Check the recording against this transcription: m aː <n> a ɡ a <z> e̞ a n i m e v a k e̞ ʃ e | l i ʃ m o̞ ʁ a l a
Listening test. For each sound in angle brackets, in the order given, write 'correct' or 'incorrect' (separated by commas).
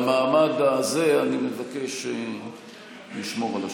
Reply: incorrect, correct